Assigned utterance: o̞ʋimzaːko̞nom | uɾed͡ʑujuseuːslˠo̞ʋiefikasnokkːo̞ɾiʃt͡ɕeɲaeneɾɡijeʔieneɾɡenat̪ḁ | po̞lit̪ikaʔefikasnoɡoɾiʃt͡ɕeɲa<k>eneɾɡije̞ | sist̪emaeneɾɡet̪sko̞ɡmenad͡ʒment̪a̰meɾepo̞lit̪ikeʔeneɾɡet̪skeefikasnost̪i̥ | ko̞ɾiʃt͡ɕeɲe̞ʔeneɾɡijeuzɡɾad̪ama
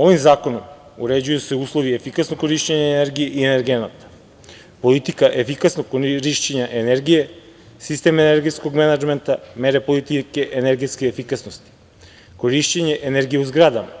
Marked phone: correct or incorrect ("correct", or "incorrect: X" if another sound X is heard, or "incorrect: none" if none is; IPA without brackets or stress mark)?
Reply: incorrect: ʔ